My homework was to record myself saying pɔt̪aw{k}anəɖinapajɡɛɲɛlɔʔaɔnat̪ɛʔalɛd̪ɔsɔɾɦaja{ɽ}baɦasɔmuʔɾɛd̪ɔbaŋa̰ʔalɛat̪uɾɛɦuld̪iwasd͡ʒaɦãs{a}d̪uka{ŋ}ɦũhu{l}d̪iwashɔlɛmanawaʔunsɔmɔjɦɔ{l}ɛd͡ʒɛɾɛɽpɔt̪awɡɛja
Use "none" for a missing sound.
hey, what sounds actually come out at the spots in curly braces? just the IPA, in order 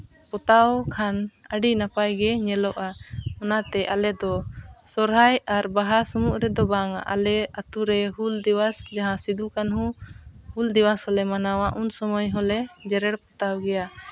kʰ, ɾ, i, n, l, l

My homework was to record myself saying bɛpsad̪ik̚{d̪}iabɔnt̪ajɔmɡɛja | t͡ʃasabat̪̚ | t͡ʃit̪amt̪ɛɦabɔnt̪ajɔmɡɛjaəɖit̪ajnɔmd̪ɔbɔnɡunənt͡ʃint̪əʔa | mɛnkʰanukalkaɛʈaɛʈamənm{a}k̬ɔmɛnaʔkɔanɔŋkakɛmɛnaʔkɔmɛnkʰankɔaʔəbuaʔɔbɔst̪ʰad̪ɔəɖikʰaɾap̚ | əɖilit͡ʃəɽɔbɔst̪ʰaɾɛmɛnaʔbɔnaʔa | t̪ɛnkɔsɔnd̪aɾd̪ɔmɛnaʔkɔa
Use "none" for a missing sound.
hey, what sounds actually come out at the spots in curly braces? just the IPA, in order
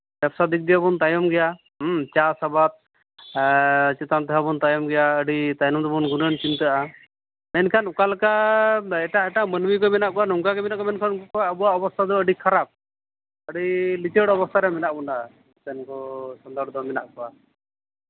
d̪, i

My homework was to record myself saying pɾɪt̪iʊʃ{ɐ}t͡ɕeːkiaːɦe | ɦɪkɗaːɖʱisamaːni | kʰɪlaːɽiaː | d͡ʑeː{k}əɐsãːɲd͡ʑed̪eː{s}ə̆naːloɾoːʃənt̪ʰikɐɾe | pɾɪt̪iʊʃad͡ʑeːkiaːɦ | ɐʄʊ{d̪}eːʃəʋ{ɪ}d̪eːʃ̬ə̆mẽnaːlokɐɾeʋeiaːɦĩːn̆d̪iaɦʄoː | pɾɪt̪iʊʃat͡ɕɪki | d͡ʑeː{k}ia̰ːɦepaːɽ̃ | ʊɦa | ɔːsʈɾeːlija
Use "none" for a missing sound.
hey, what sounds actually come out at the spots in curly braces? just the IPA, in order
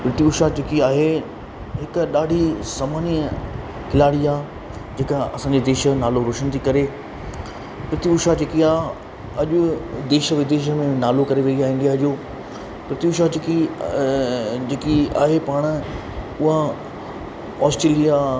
a, k, ʃ, d̪, ɪ, k

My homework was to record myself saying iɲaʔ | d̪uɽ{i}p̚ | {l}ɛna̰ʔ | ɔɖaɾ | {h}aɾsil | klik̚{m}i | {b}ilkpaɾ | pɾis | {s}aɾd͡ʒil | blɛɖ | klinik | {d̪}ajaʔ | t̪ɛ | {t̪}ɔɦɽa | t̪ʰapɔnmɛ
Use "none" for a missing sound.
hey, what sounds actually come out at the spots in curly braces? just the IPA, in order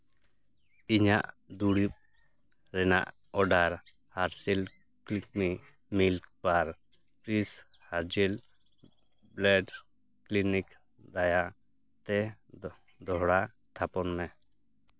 i, ɾ, h, m, m, h, d̪, d̪

